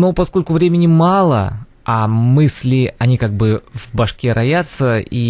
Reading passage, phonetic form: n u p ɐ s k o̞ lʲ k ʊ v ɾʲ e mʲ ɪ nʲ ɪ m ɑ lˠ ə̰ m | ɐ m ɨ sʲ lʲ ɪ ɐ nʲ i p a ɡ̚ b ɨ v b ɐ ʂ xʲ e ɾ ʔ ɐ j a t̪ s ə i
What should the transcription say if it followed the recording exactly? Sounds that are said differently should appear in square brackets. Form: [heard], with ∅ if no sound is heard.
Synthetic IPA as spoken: n [o] p ɐ s k o̞ lʲ k ʊ v ɾʲ e mʲ ɪ nʲ ɪ m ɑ lˠ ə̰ [∅] | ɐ m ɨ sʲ lʲ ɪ ɐ nʲ i [k] a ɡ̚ b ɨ v b ɐ ʂ [kʲ] e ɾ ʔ ɐ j a t̪ s ə i